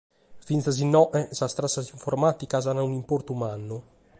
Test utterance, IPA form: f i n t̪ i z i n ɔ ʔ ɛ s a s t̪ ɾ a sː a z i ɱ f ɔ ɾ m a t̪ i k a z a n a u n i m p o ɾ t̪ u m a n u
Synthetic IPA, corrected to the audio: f i n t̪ a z i n ɔ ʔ ɛ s a s t̪ ɾ a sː a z i ɱ f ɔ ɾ m a t̪ i k a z a n a u n i m p o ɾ t̪ u m a n u